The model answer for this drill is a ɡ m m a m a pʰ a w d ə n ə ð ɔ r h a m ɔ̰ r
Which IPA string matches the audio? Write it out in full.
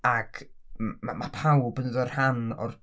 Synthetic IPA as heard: a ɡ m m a m a pʰ a w b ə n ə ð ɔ r h a n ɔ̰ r